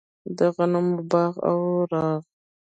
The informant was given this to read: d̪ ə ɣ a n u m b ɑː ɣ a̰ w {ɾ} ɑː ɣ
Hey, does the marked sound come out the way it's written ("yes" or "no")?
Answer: yes